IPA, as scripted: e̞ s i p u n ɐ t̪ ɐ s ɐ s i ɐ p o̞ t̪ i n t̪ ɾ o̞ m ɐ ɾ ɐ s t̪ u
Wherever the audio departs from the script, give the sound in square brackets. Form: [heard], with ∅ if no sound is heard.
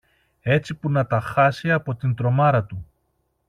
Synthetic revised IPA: e̞ [t͡s] i p u n ɐ t̪ ɐ [x] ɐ s i ɐ p o̞ t̪ i n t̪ ɾ o̞ m ɐ ɾ ɐ [∅] t̪ u